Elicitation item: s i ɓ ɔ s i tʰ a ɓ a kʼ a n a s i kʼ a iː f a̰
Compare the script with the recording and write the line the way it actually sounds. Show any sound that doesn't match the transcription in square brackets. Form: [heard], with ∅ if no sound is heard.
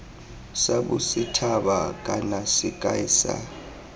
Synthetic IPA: s [a] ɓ [u] s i tʰ a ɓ a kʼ a n a s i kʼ a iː [s] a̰

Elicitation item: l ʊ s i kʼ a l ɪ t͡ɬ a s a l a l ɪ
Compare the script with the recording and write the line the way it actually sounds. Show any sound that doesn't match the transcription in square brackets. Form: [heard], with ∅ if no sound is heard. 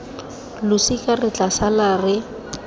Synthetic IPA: l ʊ s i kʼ a [r] ɪ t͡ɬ a s a l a [r] ɪ

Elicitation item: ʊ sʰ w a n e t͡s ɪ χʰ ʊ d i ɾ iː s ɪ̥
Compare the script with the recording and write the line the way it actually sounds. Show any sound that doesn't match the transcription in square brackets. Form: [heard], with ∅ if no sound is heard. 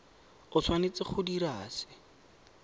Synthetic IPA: ʊ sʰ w a n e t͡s ɪ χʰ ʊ d i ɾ [aː] s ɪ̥

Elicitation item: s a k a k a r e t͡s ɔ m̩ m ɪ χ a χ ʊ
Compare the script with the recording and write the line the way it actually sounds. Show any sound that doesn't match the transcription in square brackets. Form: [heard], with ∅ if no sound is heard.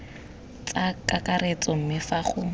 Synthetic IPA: [t͡s] a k a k a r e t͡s ɔ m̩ m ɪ [f] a χ ʊ

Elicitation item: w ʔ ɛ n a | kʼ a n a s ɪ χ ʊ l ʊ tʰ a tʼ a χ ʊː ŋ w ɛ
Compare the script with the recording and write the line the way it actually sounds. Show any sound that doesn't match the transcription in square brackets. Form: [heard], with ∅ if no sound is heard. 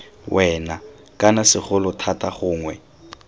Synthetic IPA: w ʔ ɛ n a | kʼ a n a s ɪ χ ʊ l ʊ tʰ a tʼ a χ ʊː ŋ w ɛ

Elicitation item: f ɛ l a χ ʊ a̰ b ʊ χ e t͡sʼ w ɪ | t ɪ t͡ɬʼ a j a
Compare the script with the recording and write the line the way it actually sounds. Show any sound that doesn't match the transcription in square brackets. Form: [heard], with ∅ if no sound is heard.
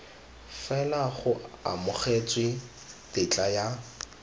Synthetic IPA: f ɛ l a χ ʊ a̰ [m] ʊ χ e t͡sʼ w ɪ | t ɪ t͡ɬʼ a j a

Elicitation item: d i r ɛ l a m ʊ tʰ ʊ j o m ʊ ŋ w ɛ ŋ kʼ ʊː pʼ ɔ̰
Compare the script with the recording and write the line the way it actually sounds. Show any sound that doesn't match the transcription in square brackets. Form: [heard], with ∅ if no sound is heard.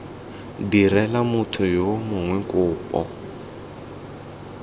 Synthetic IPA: d i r ɛ l a m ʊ tʰ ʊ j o m ʊ ŋ w ɛ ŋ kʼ ʊː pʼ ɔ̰

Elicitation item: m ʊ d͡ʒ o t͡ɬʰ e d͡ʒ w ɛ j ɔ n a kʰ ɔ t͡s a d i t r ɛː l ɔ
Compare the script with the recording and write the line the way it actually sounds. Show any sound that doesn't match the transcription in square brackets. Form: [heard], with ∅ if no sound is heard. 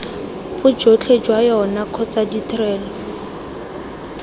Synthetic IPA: [b] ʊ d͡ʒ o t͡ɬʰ e d͡ʒ w [a] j ɔ n a kʰ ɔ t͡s a d i t r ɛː l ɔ

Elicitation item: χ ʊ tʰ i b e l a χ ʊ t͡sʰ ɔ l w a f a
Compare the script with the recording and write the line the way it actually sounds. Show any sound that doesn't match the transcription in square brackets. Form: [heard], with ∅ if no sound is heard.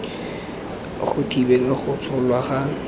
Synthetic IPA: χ ʊ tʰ i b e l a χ ʊ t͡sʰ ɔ l w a [χ] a

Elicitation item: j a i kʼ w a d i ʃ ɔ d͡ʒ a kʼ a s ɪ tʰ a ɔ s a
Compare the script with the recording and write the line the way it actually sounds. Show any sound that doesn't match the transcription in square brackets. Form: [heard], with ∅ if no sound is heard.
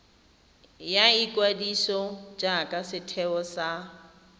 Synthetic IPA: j a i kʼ w a d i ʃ ɔ d͡ʒ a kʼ a s ɪ tʰ [ɛ] ɔ s a

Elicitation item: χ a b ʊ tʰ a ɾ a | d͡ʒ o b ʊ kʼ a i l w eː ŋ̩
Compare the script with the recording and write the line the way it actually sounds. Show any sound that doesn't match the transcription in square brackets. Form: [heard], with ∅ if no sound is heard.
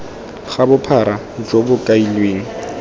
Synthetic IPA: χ a b ʊ [pʰ] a ɾ a | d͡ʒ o b ʊ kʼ a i l w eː ŋ̩

